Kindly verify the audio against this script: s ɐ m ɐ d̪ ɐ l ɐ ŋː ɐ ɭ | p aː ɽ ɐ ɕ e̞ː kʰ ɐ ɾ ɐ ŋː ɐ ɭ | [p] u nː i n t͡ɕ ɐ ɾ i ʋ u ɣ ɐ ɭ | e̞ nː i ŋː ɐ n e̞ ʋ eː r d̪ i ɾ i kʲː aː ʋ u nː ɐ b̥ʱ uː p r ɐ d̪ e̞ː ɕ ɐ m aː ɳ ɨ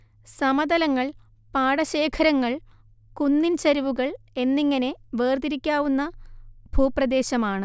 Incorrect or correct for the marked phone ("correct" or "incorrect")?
incorrect